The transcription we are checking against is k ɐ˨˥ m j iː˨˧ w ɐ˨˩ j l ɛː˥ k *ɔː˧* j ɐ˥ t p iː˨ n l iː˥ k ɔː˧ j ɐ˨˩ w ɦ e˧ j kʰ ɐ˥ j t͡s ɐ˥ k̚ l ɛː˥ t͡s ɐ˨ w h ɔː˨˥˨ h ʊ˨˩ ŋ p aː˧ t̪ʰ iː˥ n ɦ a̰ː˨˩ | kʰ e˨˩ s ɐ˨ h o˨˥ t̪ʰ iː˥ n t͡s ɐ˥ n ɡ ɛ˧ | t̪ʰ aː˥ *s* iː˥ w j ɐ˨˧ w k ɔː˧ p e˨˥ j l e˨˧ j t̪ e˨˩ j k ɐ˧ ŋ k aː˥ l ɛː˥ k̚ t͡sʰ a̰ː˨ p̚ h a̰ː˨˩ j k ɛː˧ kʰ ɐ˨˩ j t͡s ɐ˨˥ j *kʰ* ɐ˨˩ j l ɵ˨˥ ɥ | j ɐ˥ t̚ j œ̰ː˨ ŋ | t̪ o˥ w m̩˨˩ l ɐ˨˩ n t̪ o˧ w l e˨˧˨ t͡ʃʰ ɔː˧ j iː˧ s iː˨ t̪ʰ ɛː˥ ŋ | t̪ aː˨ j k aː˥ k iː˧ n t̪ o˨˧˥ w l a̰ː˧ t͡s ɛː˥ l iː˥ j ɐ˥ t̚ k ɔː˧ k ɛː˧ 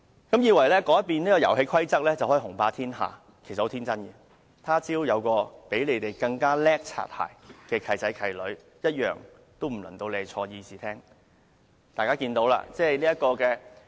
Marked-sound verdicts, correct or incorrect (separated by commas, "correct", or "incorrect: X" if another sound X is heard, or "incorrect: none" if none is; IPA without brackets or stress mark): incorrect: ɔː˨˥, incorrect: t͡s, correct